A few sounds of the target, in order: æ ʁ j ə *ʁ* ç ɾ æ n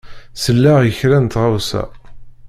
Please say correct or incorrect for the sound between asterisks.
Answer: incorrect: none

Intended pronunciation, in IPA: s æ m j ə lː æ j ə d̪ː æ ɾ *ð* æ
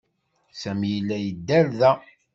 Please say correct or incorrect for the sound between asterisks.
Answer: correct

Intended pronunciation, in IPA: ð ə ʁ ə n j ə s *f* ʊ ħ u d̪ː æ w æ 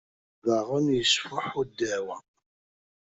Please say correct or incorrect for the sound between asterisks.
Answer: correct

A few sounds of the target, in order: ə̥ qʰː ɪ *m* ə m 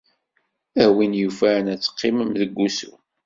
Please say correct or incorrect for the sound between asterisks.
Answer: correct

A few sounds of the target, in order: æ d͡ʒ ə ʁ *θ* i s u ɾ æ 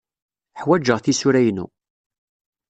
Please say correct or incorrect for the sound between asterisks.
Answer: correct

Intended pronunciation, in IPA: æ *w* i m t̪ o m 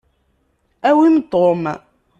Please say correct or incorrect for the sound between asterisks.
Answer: correct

